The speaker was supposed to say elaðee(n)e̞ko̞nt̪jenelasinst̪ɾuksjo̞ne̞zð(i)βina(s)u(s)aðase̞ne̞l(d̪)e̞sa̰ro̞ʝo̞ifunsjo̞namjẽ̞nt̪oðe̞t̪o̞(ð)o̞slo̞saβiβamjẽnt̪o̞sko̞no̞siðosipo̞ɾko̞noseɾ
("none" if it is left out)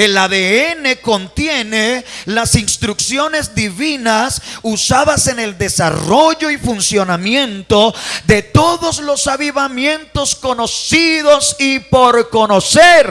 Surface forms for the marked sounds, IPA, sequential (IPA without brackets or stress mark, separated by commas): n, i, s, s, d̪, ð